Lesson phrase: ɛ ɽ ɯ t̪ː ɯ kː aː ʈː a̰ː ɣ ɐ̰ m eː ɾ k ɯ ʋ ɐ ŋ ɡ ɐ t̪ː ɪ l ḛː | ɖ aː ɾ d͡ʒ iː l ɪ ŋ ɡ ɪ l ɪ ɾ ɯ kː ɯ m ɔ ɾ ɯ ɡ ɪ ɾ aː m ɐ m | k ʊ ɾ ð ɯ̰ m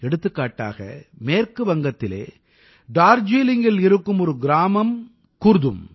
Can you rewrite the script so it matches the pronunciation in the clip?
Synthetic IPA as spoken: ɛ ɽ ɯ t̪ː ɯ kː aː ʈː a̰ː ɣ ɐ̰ m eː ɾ k ɯ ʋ ɐ ŋ ɡ ɐ t̪ː ɪ l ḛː | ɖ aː ɾ d͡ʒ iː l ɪ ŋ ɡ ɪ l ɪ ɾ ɯ kː ɯ m ɔ ɾ ɯ ɡ ɪ ɾ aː m ɐ m | k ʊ ɾ ð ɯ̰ m